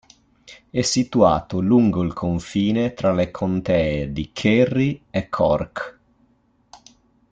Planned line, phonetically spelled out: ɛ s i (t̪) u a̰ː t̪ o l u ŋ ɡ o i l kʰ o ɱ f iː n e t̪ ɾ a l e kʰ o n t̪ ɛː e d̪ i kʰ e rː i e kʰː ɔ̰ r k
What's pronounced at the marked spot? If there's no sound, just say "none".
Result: t̪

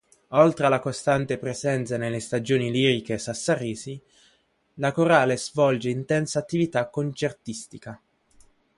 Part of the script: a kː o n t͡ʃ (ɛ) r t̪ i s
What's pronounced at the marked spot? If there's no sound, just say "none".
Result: e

